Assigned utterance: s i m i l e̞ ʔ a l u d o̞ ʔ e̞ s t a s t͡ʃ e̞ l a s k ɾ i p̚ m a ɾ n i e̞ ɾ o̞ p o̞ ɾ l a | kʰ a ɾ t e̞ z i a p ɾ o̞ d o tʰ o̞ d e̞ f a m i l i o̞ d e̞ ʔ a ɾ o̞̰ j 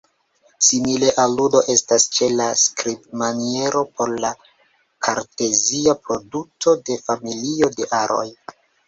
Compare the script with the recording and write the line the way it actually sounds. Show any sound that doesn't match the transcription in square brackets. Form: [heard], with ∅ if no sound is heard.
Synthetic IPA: s i m i l e̞ ʔ a l u d o̞ ʔ e̞ s t a s t͡ʃ e̞ l a s k ɾ i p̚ m a [∅] n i e̞ ɾ o̞ p o̞ ɾ l a | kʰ a ɾ t e̞ z i a p ɾ o̞ d [u] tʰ o̞ d e̞ f a m i l i o̞ d e̞ ʔ a ɾ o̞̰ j